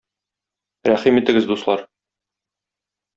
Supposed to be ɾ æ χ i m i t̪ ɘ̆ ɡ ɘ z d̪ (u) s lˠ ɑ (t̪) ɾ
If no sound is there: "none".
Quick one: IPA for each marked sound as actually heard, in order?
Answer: u, none

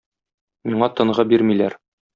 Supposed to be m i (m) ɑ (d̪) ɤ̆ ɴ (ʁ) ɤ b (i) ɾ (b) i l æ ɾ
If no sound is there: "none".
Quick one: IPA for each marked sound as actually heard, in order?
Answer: ɴ, t̪, ʁ, i, m

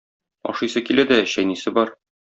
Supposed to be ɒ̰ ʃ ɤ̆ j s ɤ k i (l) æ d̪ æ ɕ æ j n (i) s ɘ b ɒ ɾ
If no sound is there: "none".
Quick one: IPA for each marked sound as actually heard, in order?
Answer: l, i

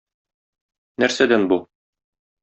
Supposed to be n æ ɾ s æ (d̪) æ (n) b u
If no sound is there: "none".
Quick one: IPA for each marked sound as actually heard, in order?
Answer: d̪, n

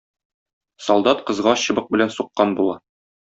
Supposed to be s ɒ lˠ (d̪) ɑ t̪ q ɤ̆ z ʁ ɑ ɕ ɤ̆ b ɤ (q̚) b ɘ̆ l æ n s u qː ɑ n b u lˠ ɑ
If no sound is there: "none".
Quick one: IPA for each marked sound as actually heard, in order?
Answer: d̪, q̚

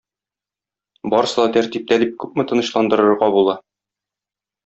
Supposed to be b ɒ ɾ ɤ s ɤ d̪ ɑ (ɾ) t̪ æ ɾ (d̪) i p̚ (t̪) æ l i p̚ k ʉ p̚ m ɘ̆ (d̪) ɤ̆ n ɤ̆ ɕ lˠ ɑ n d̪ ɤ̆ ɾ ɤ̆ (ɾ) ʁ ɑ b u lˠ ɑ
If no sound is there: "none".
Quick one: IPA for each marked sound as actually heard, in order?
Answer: none, t̪, t̪, t̪, ɾ

